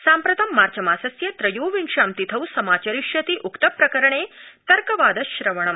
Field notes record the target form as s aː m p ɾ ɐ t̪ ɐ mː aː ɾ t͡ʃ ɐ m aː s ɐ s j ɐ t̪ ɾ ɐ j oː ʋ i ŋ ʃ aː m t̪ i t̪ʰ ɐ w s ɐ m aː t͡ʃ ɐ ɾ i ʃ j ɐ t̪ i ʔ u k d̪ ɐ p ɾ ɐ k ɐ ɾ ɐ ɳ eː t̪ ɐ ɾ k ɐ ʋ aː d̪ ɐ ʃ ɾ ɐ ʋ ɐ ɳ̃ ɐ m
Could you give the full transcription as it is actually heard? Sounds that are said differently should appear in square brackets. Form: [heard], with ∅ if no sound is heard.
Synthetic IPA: s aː m p ɾ ɐ t̪ ɐ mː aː ɾ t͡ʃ ɐ m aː s ɐ s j ɐ t̪ ɾ ɐ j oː ʋ i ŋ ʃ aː m t̪ i t̪ʰ ɐ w s ɐ m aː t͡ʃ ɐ ɾ i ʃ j ɐ t̪ i ʔ u k [t̪] ɐ p ɾ ɐ k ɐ ɾ ɐ ɳ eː t̪ ɐ ɾ k ɐ ʋ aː d̪ ɐ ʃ ɾ ɐ ʋ ɐ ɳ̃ ɐ m